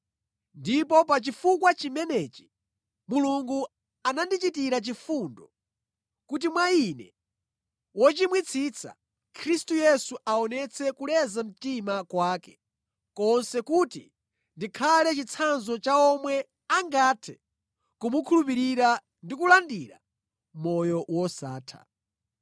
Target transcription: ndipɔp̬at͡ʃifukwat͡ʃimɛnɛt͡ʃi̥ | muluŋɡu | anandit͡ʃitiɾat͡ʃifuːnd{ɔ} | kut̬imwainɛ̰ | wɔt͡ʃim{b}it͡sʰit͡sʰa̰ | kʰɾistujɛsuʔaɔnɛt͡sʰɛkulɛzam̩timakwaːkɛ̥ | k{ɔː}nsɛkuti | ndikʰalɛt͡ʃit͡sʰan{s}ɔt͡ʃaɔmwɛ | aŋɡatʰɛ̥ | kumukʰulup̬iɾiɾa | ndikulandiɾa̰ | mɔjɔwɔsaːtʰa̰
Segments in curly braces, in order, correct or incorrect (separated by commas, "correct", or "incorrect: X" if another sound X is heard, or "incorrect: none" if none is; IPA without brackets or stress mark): correct, incorrect: w, incorrect: ɔ, incorrect: z